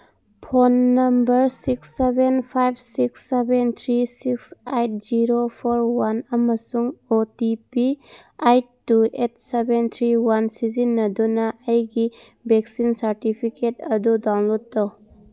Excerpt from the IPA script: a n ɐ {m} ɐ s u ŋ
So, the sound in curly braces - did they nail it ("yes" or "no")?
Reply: yes